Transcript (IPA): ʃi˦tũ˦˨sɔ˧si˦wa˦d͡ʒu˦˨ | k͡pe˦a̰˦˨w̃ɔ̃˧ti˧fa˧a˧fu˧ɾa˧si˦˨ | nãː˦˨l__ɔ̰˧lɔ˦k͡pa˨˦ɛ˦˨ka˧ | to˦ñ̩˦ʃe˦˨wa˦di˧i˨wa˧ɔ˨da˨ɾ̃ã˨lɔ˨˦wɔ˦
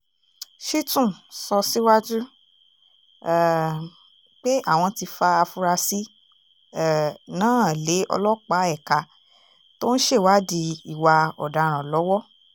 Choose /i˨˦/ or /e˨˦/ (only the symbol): e˨˦